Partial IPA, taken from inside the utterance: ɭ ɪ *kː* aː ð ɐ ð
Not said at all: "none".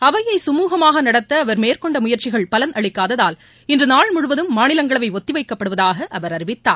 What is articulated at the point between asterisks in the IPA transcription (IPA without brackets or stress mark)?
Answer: kː